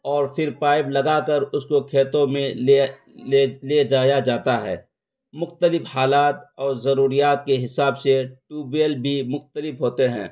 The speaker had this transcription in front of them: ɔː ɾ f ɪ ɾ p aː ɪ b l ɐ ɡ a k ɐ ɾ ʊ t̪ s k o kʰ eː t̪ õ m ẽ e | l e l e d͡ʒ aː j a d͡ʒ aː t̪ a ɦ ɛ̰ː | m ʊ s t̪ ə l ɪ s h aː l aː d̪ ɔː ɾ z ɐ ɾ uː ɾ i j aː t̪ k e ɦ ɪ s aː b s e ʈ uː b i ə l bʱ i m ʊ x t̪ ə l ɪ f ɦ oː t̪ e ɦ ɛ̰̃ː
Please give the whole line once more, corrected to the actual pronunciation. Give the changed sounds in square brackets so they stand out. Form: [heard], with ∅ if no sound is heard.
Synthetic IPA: ɔː ɾ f ɪ ɾ p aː ɪ b l ɐ ɡ a k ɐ ɾ ʊ [∅] s k o kʰ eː t̪ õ m ẽ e | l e l e d͡ʒ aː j a d͡ʒ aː t̪ a ɦ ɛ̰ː | m ʊ [x] t̪ ə l ɪ [f] h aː l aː [t̪] ɔː ɾ z ɐ ɾ uː ɾ i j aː t̪ k e ɦ ɪ s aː b s e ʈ uː b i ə l bʱ i m ʊ x t̪ ə l ɪ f ɦ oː t̪ e ɦ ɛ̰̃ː